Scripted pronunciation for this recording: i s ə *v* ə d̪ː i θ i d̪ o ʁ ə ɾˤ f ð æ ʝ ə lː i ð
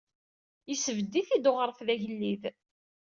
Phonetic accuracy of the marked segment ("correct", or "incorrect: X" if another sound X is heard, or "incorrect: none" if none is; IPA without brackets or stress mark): correct